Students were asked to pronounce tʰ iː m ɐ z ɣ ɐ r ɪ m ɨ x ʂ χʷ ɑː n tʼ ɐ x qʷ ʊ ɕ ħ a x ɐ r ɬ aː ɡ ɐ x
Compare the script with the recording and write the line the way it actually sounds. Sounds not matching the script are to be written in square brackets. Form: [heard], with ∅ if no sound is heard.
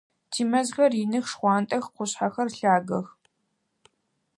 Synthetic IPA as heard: tʰ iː m ɐ z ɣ ɐ r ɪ [n] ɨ x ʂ χʷ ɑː n tʼ ɐ x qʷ ʊ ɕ ħ a x ɐ r ɬ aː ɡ ɐ x